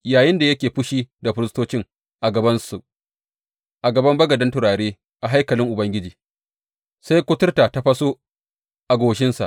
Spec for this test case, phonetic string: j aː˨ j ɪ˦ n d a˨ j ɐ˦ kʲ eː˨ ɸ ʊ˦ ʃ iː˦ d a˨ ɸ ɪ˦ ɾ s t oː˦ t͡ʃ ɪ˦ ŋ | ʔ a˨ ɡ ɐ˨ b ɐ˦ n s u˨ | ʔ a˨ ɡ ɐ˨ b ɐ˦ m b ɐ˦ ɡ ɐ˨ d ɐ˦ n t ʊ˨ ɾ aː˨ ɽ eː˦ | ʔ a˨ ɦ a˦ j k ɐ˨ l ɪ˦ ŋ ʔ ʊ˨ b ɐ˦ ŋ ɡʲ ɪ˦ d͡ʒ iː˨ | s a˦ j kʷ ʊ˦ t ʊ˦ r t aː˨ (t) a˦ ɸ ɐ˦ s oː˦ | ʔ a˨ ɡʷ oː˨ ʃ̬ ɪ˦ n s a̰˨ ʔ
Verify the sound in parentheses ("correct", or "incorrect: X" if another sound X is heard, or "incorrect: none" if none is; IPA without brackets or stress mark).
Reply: correct